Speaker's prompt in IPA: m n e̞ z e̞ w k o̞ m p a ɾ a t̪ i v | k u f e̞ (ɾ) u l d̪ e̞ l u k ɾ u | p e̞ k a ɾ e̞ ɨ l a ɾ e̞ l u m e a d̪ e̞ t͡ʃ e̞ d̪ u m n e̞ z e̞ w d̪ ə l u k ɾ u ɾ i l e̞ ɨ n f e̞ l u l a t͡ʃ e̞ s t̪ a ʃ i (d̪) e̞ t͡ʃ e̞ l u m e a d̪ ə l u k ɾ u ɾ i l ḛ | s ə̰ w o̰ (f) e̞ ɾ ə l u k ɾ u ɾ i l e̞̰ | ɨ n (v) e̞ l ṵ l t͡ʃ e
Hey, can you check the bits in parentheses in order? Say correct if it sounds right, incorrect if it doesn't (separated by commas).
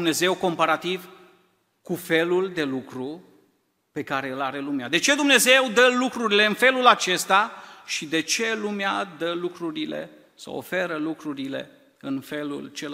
incorrect, correct, correct, incorrect